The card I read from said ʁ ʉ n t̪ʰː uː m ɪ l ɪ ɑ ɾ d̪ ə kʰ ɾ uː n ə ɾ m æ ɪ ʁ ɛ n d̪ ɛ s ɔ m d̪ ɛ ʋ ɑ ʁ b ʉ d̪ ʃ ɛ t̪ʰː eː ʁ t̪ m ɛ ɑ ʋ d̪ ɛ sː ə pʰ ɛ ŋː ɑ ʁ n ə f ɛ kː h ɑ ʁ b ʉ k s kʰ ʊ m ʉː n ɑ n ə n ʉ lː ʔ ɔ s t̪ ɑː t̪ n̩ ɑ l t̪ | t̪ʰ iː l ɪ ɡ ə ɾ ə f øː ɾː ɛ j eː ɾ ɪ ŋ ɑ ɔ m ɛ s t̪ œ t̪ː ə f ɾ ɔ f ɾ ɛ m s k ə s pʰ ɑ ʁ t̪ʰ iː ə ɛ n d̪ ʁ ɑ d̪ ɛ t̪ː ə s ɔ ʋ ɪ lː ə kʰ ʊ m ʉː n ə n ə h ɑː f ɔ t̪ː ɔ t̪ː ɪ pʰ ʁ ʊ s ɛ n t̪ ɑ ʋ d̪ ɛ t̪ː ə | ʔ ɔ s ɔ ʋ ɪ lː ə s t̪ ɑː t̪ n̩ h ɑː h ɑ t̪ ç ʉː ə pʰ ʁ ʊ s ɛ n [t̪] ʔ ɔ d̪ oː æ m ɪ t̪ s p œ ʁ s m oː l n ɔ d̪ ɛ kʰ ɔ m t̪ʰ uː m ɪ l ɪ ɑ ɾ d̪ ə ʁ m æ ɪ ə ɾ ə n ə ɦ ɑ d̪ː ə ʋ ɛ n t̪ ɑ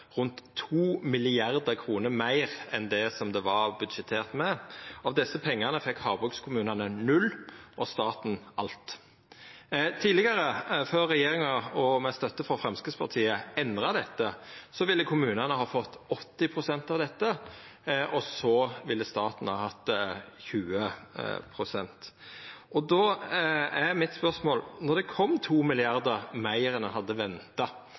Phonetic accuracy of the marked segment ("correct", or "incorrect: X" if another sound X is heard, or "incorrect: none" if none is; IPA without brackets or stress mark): correct